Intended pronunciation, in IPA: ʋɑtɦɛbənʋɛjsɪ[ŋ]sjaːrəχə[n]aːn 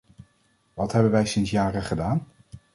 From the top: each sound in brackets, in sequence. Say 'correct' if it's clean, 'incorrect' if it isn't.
incorrect: n, incorrect: d

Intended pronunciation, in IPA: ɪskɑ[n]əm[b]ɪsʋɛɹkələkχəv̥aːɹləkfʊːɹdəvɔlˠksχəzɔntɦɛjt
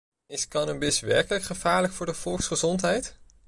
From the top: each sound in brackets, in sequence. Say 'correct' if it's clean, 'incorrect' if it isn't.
correct, correct

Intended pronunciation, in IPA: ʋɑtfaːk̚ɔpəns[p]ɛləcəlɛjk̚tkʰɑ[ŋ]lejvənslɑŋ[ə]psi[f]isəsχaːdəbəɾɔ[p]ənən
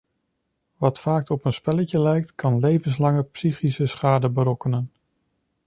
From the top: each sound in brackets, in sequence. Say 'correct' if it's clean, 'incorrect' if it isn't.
correct, incorrect: n, correct, incorrect: χ, incorrect: k

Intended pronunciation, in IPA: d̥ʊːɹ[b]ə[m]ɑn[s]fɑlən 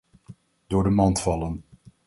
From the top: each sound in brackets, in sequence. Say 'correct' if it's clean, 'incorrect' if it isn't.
incorrect: d, correct, incorrect: t

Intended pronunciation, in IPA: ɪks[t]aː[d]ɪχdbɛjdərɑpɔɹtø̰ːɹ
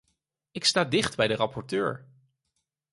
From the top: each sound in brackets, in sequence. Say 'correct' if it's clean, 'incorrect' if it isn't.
correct, correct

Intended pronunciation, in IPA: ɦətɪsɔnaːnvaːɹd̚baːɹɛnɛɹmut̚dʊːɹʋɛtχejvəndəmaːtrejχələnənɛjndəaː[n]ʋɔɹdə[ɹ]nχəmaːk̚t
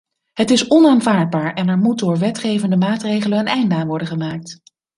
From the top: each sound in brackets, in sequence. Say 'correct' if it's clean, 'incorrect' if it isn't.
correct, incorrect: none

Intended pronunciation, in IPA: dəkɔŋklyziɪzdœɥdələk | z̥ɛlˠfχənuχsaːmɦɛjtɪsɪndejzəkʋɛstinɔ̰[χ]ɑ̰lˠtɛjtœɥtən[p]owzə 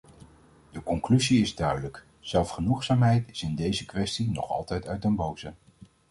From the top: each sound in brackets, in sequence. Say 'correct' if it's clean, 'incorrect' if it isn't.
correct, incorrect: b

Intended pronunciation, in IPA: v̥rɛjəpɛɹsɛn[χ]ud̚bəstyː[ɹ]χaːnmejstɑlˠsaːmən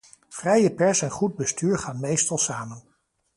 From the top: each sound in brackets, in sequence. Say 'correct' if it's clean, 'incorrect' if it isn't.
correct, correct

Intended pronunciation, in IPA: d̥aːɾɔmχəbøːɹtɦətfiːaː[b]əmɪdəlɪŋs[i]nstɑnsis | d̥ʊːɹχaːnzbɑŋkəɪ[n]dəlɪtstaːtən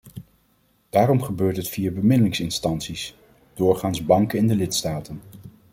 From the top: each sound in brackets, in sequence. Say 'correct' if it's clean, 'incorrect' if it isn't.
correct, incorrect: ɪ, correct

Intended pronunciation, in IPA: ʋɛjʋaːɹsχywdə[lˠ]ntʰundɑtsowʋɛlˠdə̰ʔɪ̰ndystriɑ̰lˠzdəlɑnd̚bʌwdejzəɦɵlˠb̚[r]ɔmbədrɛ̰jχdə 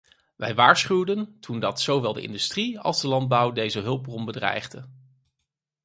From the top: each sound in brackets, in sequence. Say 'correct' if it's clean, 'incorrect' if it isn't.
incorrect: none, correct

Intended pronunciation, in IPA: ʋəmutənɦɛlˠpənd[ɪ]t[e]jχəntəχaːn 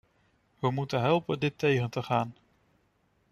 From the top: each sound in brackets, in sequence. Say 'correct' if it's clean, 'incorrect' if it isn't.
correct, correct

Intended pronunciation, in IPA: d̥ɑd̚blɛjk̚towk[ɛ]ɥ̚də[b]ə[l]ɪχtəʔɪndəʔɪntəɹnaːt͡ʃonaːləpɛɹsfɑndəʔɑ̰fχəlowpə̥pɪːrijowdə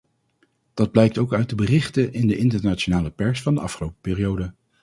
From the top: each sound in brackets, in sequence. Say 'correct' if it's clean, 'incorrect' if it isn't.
incorrect: œ, correct, incorrect: r

